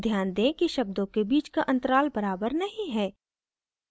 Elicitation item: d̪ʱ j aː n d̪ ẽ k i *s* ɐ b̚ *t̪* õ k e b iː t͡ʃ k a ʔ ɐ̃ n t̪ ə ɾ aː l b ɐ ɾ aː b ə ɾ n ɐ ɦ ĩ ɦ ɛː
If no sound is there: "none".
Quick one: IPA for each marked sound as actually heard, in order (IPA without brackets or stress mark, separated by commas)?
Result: ʃ, d̪